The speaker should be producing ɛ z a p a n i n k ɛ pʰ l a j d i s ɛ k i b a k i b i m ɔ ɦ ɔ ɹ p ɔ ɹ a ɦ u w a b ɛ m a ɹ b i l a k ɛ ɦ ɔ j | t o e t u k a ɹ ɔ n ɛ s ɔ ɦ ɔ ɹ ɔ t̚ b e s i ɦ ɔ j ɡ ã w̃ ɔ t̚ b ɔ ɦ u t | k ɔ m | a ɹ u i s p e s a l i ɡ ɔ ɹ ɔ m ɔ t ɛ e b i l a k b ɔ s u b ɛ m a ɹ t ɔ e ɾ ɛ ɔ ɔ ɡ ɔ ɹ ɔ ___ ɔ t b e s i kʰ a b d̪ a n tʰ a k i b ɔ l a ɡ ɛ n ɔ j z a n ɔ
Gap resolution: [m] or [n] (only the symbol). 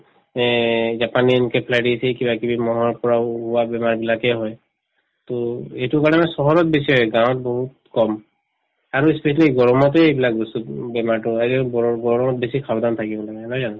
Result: m